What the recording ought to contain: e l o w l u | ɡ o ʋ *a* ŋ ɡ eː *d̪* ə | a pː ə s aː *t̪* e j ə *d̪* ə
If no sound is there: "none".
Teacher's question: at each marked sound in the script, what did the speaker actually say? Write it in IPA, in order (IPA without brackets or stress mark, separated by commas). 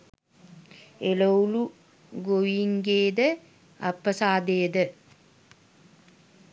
i, d̪, d̪, d̪